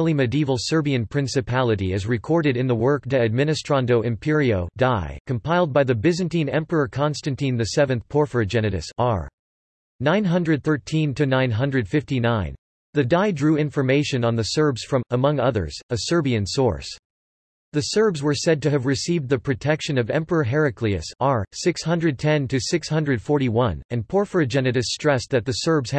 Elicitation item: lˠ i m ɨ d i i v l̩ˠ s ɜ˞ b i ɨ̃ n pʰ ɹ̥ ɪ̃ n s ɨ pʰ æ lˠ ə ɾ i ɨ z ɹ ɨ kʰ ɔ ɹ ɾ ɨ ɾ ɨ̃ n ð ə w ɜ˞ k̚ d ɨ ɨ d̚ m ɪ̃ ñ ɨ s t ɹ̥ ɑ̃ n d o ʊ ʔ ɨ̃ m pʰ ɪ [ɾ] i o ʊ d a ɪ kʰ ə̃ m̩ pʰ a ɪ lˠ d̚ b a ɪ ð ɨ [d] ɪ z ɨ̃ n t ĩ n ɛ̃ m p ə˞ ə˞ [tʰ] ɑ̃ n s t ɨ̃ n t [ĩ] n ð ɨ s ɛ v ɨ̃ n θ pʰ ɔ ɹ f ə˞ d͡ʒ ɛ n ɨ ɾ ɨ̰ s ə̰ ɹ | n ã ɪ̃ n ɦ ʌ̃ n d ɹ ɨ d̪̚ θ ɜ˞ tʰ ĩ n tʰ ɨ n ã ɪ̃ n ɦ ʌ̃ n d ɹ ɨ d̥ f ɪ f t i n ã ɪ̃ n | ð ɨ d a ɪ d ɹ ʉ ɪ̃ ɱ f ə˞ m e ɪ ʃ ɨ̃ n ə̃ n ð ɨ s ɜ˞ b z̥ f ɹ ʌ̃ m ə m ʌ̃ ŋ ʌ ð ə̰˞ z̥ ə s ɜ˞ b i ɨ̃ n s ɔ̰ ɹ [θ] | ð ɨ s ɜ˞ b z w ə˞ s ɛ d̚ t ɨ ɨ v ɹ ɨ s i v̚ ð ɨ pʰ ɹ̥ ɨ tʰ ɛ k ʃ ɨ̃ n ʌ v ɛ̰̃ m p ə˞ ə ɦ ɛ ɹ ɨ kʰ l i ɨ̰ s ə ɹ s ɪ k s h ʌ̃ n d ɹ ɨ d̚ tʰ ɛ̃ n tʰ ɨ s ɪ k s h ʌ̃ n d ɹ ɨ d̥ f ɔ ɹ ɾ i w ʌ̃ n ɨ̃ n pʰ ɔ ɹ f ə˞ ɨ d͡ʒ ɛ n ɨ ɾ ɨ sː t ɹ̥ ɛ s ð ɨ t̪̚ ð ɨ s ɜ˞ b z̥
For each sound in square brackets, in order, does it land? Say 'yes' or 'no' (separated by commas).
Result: no, no, no, yes, no